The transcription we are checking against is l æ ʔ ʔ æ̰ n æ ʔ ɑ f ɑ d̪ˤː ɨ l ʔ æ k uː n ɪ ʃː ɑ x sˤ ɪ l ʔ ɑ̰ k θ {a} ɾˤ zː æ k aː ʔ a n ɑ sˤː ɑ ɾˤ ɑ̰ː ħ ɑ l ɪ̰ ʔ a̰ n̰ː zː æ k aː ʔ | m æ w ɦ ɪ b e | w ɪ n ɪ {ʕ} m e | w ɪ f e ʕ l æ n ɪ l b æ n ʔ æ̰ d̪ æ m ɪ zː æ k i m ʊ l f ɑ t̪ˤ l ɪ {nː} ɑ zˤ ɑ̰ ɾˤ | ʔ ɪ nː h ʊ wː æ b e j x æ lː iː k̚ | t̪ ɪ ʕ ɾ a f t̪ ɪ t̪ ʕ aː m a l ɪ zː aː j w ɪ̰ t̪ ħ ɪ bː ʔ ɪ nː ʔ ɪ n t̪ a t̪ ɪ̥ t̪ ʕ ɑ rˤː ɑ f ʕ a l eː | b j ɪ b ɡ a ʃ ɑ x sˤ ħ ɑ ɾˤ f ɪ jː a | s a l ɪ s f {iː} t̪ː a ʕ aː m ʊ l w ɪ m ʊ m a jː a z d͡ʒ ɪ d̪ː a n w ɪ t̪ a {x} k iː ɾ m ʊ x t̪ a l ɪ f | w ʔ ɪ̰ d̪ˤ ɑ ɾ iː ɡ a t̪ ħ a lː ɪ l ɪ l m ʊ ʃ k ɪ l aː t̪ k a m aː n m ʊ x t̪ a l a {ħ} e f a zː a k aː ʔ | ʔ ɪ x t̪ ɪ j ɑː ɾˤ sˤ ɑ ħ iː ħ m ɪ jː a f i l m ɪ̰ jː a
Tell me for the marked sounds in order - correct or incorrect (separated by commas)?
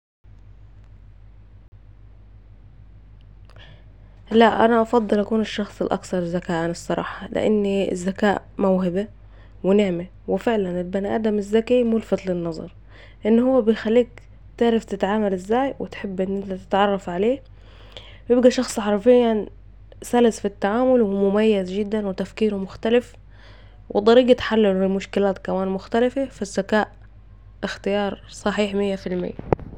incorrect, correct, correct, incorrect, incorrect, incorrect